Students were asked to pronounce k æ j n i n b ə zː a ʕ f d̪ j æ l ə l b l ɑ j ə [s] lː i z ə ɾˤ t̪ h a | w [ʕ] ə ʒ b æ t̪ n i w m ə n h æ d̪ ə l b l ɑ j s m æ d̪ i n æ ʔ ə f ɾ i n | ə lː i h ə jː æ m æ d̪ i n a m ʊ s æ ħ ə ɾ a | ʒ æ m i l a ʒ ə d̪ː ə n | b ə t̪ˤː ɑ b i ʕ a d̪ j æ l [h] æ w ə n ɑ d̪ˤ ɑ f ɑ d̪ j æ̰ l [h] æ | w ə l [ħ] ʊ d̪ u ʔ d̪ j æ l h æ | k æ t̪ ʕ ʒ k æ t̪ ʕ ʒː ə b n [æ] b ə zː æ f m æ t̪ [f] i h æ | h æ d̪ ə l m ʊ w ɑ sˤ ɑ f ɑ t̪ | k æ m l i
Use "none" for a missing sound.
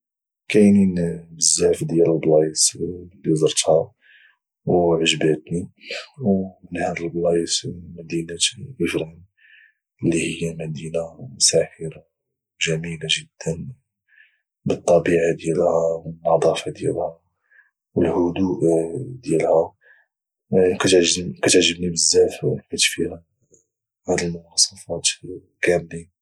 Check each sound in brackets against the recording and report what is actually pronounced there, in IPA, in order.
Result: s, ʕ, h, h, h, i, f

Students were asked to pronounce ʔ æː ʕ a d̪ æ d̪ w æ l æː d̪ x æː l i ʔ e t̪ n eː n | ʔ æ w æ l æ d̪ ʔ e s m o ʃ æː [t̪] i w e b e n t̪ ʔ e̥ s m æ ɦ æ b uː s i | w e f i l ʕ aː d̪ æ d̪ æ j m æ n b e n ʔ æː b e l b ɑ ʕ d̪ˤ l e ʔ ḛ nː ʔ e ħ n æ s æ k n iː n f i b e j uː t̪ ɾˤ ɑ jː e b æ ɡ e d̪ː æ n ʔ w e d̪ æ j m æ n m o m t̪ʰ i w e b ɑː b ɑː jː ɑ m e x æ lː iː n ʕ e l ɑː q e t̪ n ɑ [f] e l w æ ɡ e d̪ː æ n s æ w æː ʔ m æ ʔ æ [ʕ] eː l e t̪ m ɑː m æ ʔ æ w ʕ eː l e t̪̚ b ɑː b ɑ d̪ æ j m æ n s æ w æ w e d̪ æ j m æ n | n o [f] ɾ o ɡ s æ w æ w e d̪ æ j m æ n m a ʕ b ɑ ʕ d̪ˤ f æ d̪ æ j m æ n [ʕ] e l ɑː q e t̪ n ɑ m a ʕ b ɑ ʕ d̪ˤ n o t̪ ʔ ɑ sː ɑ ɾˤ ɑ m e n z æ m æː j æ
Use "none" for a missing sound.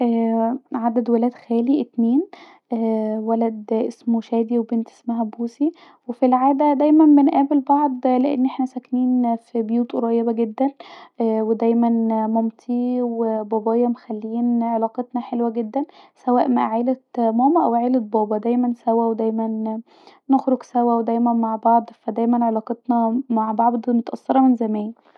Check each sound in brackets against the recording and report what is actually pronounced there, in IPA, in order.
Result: d̪, ħ, ʕ, x, ʕ

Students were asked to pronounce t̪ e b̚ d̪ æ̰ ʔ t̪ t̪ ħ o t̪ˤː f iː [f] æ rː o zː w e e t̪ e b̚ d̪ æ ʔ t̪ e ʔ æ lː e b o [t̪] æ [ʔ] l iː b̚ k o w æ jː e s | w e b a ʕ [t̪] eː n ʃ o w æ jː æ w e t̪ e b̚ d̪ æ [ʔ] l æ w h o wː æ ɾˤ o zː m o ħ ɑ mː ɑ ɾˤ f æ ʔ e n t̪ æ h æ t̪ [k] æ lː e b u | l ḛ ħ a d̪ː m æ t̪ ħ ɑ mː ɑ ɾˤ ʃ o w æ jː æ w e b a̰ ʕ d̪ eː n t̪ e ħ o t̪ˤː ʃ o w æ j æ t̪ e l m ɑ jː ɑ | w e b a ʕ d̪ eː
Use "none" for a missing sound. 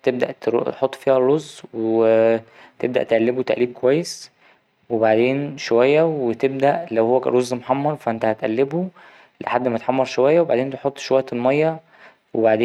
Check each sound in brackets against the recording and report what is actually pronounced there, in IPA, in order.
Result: h, t̪, ʔ, d̪, ʔ, ʔ

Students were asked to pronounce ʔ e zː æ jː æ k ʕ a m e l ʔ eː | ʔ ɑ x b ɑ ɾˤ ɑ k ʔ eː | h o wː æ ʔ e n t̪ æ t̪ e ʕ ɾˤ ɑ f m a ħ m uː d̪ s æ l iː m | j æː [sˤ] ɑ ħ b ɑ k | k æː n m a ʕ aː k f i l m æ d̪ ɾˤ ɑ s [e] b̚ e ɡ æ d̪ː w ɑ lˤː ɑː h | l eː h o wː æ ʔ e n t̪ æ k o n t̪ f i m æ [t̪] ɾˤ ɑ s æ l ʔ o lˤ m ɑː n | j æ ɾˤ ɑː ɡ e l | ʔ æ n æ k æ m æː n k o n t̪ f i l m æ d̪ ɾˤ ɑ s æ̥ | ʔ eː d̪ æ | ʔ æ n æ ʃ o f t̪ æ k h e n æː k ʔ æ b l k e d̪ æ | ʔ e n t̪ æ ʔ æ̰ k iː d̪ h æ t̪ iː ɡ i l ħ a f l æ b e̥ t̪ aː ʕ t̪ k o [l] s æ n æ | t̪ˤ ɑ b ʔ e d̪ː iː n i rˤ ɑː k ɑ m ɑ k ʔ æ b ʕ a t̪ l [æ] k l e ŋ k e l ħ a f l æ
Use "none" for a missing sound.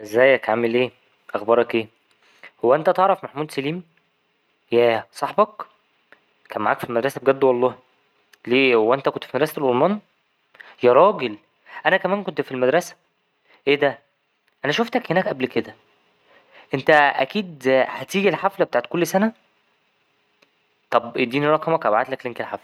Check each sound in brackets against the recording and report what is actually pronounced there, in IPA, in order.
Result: sˤ, æ, d̪, lː, æ

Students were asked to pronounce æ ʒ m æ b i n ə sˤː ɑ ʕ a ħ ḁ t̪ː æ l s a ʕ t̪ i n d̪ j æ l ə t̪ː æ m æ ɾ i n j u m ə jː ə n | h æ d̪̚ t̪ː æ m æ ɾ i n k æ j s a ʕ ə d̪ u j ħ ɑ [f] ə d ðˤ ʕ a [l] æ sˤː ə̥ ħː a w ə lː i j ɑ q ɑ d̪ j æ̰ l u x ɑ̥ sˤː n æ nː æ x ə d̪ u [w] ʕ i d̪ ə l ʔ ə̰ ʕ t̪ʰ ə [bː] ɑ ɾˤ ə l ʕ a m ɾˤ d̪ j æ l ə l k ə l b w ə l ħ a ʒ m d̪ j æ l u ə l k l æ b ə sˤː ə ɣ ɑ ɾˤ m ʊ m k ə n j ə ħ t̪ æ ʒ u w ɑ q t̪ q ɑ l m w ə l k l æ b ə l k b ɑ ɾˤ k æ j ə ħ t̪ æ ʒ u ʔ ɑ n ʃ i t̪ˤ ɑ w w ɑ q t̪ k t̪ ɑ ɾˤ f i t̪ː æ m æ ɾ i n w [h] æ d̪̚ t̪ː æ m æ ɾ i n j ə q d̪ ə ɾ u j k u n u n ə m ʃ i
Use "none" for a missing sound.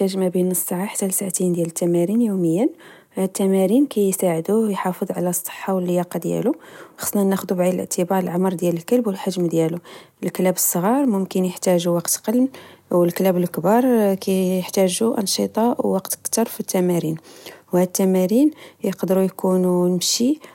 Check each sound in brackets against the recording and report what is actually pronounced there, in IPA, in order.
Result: f, l, b, b, h

